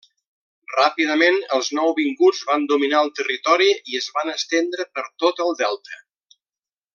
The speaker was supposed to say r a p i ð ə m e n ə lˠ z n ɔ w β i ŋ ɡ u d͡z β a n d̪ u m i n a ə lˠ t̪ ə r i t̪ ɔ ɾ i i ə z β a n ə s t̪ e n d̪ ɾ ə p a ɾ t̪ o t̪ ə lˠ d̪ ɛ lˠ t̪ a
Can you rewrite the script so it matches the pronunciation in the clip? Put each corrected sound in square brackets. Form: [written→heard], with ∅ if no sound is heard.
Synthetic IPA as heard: r a p i ð ə m e n ə lˠ z n ɔ w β i ŋ ɡ u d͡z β a n d̪ u m i n a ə lˠ t̪ ə r i t̪ ɔ ɾ i i ə z β a n ə s t̪ e n d̪ ɾ ə p [a→ə] ɾ t̪ o t̪ ə lˠ d̪ ɛ lˠ t̪ [a→ə]